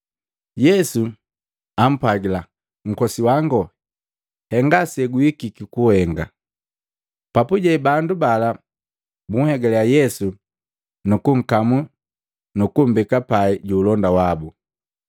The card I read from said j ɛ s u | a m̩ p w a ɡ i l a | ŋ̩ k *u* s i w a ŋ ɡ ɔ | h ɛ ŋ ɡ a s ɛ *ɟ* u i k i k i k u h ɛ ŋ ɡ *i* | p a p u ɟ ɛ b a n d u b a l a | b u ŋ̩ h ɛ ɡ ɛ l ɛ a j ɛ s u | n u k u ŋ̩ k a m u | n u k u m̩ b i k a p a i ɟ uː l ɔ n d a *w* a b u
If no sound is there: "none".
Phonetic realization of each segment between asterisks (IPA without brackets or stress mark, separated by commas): ɔ, ɡ, a, w